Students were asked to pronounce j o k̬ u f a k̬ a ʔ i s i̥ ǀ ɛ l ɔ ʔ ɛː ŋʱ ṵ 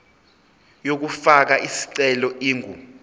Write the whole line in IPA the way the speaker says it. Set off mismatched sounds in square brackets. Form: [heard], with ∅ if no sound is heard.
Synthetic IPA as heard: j o k̬ u f a k̬ a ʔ i s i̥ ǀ ɛ l ɔ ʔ [iː] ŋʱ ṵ